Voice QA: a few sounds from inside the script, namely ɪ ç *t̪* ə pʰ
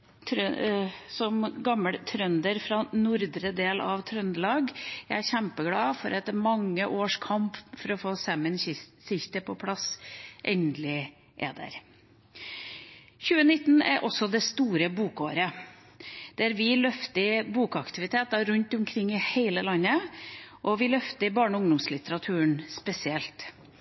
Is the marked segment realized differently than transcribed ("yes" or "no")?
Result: no